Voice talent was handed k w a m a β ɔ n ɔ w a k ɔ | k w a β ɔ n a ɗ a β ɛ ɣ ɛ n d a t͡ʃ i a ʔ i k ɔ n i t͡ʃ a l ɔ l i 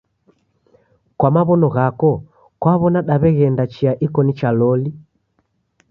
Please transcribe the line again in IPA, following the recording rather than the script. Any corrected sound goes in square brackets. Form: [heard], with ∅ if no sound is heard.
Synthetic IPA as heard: k w a m a β ɔ n ɔ [ɣ] a k ɔ | k w a β ɔ n a ɗ a β ɛ ɣ ɛ n d a t͡ʃ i a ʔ i k ɔ n i t͡ʃ a l ɔ l i